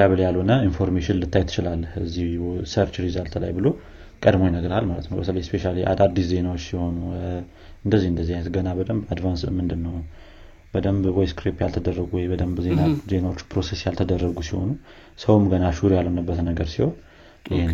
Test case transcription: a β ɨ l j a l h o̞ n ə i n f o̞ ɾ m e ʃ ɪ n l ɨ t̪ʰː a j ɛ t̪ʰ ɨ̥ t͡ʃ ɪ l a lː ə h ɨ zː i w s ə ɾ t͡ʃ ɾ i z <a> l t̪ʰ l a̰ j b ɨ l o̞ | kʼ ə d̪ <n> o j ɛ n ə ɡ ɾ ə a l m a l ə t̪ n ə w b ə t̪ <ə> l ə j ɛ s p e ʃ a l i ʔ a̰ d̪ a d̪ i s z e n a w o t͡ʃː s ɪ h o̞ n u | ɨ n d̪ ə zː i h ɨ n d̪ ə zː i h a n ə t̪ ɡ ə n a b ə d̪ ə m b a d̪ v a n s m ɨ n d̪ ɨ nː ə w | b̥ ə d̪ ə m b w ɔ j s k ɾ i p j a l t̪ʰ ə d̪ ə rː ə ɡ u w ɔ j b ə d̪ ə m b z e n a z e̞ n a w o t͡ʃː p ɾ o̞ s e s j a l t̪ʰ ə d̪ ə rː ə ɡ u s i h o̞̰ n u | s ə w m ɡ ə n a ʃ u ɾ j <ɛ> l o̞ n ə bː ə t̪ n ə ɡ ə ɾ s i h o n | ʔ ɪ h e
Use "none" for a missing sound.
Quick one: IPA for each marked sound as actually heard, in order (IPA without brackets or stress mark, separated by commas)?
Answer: a, m, ə, a